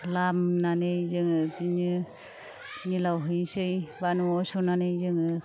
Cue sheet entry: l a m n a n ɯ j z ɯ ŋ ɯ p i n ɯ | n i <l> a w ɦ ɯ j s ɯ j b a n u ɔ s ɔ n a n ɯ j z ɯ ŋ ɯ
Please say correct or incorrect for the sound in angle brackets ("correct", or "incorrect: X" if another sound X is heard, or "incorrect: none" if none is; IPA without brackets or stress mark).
correct